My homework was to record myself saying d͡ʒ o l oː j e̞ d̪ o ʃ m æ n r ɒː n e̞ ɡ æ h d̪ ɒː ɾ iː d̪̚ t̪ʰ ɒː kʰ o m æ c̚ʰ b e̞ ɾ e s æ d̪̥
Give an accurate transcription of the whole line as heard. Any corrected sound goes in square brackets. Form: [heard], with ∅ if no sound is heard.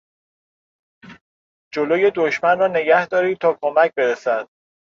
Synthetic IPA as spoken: d͡ʒ o l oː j e̞ d̪ o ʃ m æ n r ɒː n e̞ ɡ æ h d̪ ɒː ɾ iː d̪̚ t̪ʰ ɒː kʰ o m æ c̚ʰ b e̞ ɾ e s æ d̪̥